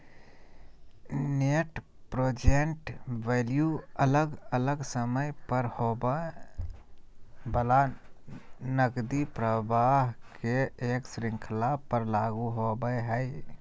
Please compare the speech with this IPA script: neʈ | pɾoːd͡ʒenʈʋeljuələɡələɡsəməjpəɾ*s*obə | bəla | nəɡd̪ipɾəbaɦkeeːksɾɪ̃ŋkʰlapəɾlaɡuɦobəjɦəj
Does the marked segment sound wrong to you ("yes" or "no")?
yes